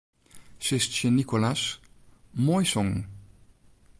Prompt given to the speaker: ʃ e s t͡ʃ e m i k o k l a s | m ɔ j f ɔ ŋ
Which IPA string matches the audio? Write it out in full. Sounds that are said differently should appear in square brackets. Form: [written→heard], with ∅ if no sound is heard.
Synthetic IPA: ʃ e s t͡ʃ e [m→n] i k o [k→∅] l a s | m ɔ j [f→s] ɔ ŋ

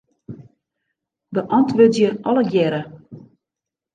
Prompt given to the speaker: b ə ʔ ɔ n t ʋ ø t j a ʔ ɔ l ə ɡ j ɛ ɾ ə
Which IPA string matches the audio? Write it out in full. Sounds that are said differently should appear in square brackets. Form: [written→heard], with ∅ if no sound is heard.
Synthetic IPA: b ə ʔ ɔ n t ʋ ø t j [a→ə] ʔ ɔ l ə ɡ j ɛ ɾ ə

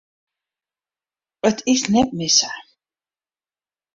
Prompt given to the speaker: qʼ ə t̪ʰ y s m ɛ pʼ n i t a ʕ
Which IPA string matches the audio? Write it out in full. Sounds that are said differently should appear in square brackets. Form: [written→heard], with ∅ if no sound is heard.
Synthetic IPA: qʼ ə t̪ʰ [y→i] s [m→n] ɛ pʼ [n→m] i [t→s] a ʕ

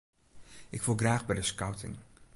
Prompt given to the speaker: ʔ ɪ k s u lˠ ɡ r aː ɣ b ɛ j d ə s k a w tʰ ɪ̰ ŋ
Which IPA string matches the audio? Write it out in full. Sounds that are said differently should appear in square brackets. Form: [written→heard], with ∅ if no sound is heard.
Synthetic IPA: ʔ ɪ k [s→f] u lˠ ɡ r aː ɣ b ɛ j d ə s k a w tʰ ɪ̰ ŋ

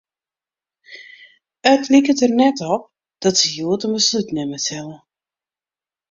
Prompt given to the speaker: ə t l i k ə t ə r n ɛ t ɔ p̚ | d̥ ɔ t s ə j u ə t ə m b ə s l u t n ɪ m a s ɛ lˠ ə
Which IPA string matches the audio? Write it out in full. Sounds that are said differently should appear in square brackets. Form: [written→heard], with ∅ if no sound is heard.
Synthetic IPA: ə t l i k ə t ə r n ɛ t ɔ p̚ | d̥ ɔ t s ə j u ə t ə m b ə s l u t n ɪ m [a→ə] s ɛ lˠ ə

